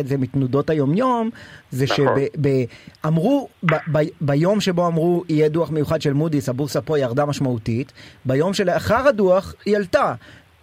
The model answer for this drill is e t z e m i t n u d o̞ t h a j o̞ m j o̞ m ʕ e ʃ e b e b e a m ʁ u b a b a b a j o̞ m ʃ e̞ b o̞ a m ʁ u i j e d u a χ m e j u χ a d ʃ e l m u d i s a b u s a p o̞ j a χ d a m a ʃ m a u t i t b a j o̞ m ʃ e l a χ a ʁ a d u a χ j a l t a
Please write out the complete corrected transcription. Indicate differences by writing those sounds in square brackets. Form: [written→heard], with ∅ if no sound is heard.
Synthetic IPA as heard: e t z e m i t n u d o̞ t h a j o̞ m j o̞ m [ʕ→z] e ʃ e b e b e a m ʁ u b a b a b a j o̞ m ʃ e̞ b o̞ a m ʁ u i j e d u a χ m e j u χ a d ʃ e l m u d i s a b u s a p o̞ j a [χ→ʁ] d a m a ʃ m a u t i t b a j o̞ m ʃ e l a χ a ʁ a d u a χ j a l t a